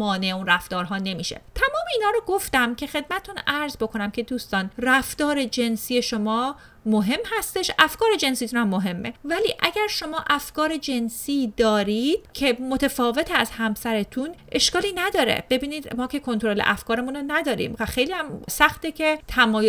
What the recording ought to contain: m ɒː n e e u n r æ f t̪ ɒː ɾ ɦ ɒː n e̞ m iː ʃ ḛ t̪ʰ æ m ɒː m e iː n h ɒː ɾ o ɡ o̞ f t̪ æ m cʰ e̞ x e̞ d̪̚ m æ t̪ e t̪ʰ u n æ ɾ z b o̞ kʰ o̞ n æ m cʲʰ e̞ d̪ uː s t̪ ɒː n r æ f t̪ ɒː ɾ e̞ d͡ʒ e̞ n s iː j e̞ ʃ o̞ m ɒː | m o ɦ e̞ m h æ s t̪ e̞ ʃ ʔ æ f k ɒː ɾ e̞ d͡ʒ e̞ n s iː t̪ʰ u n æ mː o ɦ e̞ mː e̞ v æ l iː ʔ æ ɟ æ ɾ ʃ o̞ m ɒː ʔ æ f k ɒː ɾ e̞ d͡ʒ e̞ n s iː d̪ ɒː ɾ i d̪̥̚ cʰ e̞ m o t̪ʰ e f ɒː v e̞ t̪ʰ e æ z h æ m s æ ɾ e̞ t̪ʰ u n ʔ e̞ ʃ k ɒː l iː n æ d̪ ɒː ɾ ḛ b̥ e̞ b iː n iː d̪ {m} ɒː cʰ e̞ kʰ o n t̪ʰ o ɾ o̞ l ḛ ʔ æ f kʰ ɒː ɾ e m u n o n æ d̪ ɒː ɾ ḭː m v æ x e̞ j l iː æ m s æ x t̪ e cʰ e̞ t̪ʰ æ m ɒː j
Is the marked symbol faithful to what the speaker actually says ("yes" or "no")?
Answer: yes